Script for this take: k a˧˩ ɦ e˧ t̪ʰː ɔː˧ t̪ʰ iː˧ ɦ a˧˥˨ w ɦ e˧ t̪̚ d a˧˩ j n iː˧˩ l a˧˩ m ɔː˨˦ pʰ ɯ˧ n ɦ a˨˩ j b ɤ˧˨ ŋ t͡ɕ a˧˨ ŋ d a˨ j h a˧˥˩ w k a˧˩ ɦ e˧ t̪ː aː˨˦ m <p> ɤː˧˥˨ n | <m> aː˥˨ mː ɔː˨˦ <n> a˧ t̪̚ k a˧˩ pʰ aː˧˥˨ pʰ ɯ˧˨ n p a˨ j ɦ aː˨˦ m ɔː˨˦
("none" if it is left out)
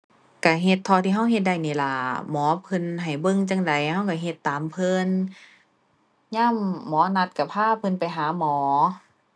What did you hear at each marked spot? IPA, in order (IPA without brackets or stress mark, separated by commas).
pʰ, ɲ, n